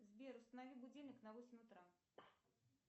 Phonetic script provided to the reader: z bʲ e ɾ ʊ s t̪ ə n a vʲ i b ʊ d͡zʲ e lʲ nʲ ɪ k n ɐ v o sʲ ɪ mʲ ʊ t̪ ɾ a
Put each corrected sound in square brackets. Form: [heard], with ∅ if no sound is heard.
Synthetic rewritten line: z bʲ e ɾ ʊ s t̪ ə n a vʲ i b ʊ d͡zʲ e lʲ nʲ ɪ k n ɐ v o sʲ ɪ mʲ ʊ t̪ ɾ a